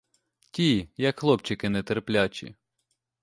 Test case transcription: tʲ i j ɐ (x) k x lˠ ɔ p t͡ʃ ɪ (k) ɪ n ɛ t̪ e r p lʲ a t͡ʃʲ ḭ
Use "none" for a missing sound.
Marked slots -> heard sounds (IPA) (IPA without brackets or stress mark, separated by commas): none, k